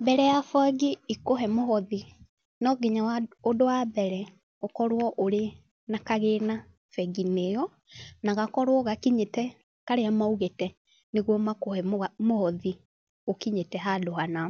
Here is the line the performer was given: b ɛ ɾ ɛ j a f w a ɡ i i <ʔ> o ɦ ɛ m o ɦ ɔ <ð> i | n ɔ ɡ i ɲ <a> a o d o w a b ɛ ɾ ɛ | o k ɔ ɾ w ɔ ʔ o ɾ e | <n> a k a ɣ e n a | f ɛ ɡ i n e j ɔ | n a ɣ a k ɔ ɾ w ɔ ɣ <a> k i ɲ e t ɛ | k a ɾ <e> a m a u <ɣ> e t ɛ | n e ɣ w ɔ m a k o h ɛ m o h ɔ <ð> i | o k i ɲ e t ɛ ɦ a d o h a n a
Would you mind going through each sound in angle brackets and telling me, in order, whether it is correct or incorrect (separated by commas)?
incorrect, correct, correct, correct, correct, correct, correct, correct